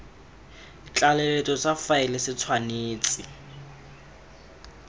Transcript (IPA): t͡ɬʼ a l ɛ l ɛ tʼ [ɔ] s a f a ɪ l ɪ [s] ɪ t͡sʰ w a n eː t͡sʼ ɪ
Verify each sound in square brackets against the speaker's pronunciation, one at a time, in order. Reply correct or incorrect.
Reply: correct, correct

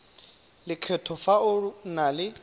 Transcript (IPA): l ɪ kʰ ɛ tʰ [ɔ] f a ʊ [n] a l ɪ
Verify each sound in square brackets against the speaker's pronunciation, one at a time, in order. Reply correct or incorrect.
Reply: correct, correct

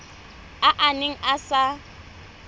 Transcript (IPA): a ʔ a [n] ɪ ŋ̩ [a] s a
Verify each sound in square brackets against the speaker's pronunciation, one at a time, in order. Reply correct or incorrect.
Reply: correct, correct

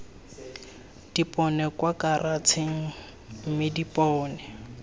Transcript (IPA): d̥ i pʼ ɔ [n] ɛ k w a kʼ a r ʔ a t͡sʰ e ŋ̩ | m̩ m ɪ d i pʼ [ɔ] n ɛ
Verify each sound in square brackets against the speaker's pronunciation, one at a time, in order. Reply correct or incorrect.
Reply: correct, incorrect: ɔː

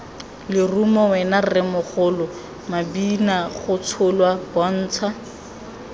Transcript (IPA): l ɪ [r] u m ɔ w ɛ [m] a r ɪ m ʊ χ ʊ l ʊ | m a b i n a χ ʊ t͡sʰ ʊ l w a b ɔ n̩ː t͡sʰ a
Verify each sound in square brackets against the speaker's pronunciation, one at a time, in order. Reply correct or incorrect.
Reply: correct, incorrect: n

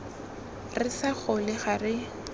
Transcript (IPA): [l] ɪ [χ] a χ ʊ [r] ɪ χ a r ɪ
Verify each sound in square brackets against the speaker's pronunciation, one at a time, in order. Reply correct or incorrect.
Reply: incorrect: r, incorrect: s, incorrect: l

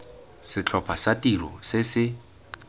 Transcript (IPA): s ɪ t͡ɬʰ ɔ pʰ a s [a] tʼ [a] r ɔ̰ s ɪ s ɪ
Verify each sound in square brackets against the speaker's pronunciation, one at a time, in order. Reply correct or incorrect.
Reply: correct, incorrect: i

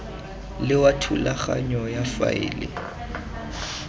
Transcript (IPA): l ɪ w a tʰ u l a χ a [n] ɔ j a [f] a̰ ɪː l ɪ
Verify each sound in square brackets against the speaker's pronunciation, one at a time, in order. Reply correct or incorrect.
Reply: incorrect: ɲ, correct

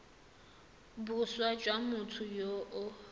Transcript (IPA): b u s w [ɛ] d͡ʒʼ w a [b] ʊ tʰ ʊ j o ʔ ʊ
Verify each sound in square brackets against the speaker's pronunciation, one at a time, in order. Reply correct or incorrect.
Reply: incorrect: a, incorrect: m

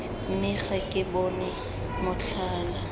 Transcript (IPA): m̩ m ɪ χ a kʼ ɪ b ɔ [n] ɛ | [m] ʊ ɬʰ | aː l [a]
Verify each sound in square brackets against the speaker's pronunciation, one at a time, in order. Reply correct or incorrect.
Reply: correct, correct, correct

